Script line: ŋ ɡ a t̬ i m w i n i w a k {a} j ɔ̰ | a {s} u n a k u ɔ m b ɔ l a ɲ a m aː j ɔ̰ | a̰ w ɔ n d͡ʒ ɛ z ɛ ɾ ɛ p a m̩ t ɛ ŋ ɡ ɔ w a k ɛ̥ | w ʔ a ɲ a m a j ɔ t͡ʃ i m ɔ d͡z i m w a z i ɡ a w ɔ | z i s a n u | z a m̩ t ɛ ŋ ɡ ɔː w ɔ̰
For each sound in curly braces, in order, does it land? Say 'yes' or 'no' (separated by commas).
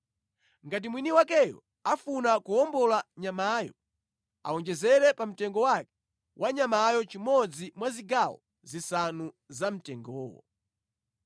no, no